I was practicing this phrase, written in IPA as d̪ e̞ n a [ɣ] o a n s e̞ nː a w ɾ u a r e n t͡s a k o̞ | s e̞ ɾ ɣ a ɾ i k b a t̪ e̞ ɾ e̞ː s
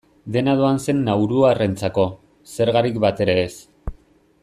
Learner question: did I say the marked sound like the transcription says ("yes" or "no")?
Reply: no